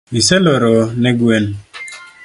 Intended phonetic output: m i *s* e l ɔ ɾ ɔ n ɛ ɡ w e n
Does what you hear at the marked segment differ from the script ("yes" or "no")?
no